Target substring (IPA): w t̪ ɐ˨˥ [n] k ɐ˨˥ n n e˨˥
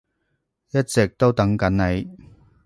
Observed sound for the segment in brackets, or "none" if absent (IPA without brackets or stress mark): ŋ